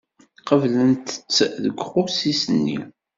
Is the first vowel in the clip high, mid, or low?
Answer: mid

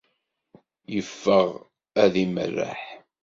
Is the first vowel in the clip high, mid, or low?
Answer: mid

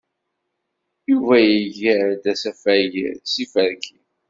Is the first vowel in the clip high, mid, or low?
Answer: high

